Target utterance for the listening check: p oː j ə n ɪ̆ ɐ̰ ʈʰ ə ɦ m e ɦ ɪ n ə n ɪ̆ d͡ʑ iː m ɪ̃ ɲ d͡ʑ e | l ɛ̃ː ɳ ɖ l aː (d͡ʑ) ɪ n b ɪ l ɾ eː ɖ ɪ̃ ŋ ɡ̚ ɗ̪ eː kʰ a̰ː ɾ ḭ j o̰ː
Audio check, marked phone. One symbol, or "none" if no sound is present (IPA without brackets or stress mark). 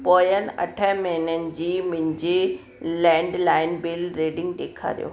none